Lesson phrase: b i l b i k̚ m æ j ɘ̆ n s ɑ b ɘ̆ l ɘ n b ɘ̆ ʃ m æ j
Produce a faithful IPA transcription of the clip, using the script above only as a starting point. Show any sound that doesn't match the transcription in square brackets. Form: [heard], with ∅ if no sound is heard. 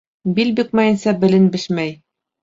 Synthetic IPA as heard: b i l b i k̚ m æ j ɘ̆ n s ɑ b ɘ̆ l ɘ n b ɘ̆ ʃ m æ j